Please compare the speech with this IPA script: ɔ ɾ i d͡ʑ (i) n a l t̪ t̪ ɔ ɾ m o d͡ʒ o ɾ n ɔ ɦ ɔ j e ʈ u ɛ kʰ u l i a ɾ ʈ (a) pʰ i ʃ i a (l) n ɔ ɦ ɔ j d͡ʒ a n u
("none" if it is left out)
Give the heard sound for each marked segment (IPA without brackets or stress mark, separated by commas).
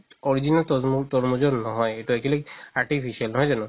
i, i, l